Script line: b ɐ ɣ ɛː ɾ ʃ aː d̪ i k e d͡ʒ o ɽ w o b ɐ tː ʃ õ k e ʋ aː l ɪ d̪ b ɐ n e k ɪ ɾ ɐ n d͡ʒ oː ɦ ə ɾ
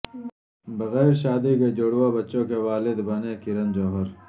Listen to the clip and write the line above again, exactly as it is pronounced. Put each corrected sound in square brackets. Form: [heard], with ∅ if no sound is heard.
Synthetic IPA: b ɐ ɣ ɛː ɾ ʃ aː d̪ i k e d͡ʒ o ɽ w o b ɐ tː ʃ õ k e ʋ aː l ɪ d̪ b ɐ n e k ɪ ɾ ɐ n d͡ʒ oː ɦ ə ɾ